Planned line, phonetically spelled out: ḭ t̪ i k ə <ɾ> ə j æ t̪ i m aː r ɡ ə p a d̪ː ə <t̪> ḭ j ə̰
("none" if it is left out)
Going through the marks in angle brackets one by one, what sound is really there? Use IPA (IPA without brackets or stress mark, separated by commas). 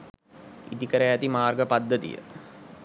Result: ɾ, t̪